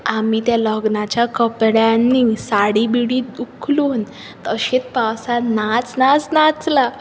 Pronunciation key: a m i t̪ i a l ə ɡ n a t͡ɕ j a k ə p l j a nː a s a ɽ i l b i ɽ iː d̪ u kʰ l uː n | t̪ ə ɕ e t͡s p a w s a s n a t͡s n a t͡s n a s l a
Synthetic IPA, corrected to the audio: a m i t̪ j a l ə ɡ n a t͡ɕ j a k ə p ɽ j a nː i s a ɽ i b i ɽ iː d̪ u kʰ l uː n | t̪ ə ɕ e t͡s p a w s a n a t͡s n a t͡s n a t͡s l a